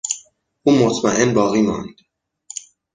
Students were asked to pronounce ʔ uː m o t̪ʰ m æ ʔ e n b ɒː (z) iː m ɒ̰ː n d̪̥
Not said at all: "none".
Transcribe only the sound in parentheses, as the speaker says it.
ɣ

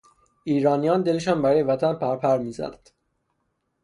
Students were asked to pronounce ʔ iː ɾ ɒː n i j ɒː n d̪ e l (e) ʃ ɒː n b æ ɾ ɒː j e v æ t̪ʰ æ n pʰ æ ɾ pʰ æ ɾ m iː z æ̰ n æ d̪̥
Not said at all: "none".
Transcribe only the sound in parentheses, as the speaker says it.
e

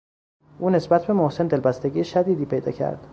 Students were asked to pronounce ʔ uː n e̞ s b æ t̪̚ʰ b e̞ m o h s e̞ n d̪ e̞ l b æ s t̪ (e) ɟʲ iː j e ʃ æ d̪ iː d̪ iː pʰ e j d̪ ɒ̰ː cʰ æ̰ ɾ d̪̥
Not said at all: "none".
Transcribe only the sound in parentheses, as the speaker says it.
e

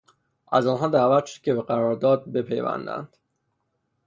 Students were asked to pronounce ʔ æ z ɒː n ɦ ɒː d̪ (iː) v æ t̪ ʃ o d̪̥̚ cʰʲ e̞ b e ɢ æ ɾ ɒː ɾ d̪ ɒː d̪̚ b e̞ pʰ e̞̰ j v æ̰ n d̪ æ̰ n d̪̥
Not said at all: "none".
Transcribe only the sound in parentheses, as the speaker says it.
æː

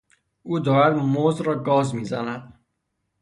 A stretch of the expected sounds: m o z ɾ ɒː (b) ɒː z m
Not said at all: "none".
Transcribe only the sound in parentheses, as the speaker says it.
ɡ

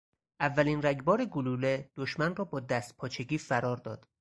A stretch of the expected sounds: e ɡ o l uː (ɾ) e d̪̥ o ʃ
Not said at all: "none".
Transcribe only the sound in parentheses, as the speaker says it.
l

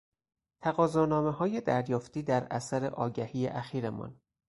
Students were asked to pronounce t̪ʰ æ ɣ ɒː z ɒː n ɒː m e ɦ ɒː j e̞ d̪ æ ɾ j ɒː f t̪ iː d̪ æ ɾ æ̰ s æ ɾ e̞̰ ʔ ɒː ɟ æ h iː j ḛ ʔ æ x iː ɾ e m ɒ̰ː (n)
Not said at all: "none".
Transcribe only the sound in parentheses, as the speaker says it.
n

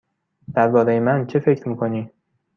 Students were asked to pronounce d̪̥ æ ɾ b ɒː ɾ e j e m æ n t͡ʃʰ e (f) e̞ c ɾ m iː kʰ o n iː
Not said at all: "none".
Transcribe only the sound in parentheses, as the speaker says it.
f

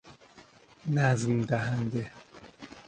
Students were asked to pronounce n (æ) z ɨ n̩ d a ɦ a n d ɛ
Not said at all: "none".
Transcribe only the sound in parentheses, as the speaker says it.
a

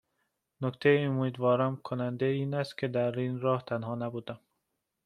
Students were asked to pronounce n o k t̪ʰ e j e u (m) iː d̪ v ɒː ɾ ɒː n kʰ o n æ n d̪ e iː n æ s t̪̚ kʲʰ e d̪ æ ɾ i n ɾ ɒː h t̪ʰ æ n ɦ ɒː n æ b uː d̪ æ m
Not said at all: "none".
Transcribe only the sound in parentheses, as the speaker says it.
m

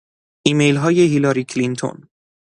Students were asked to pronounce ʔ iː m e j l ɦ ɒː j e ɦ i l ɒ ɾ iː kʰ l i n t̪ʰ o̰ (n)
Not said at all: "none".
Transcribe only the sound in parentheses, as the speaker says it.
n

